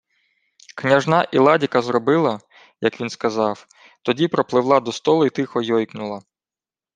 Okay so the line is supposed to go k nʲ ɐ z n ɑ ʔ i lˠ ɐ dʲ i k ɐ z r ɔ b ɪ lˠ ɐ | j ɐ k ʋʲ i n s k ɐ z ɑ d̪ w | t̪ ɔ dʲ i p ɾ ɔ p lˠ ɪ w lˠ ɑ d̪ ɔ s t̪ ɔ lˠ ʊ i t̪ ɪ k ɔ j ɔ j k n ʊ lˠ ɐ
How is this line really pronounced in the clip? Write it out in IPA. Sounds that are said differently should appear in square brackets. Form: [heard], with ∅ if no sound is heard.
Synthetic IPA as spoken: k nʲ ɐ [ʒ] n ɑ ʔ i lˠ [ɑ] dʲ i k ɐ z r ɔ b ɪ lˠ ɐ | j ɐ k ʋʲ i n s k ɐ z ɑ [∅] w | t̪ ɔ dʲ i p ɾ ɔ p lˠ ɪ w lˠ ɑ d̪ ɔ s t̪ ɔ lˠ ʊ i t̪ ɪ [x] ɔ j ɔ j k n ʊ lˠ ɐ